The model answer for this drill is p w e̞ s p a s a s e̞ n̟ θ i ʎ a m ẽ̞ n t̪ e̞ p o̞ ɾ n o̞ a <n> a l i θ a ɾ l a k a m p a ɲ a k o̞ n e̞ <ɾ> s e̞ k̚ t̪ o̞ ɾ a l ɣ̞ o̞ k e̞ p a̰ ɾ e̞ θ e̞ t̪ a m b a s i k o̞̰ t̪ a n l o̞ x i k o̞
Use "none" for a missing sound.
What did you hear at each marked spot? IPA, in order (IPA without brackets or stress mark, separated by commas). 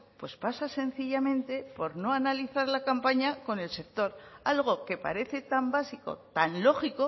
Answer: n, l